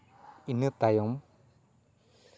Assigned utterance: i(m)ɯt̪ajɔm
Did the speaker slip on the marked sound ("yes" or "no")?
yes